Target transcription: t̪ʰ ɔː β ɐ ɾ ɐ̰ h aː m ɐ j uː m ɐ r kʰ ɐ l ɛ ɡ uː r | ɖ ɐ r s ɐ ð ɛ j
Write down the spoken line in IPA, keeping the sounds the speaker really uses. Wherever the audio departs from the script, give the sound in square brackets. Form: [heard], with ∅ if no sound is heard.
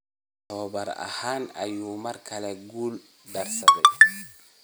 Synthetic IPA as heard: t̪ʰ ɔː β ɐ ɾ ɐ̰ h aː [n] ɐ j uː m ɐ r kʰ ɐ l ɛ ɡ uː [l] | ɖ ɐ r s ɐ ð ɛ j